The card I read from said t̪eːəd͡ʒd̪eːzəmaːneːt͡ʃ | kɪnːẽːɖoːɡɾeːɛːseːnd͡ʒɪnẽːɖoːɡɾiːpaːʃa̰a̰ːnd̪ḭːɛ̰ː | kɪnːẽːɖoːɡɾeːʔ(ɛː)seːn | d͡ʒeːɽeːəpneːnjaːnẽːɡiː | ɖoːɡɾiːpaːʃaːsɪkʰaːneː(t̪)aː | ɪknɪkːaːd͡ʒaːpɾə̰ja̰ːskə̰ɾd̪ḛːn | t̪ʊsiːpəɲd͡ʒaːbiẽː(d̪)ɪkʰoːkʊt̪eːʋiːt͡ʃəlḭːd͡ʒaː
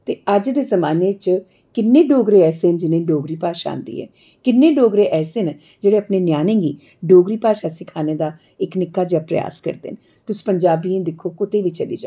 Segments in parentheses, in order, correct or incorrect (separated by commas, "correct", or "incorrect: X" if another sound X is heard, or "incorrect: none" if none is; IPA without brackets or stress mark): correct, incorrect: d̪, correct